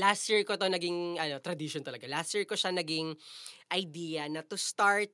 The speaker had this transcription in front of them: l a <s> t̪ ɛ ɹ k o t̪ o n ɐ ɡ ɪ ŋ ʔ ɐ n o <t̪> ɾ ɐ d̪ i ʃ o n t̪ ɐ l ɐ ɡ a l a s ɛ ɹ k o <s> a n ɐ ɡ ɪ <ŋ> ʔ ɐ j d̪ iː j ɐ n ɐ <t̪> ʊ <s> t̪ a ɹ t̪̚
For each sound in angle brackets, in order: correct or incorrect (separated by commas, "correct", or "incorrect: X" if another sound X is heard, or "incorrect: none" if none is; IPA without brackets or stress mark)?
correct, correct, incorrect: ʃ, correct, correct, correct